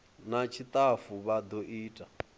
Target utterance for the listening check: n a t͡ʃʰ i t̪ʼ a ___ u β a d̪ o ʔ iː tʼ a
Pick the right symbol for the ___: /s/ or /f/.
f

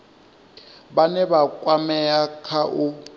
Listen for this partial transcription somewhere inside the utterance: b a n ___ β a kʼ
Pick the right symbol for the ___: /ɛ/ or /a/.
ɛ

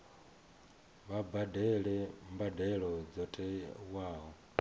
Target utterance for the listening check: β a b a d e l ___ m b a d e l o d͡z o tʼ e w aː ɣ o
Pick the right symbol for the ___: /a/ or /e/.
e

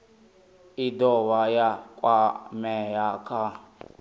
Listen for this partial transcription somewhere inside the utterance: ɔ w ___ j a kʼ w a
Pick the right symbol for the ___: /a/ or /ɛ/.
a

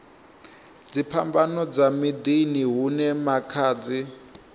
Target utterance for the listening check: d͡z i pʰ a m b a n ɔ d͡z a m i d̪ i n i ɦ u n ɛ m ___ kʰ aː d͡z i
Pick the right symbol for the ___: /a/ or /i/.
a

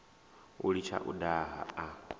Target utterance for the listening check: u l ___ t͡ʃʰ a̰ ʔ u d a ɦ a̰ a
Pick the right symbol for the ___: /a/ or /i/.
i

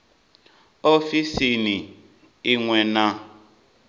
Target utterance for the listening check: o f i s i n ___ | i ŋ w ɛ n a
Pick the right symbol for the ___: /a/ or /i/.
i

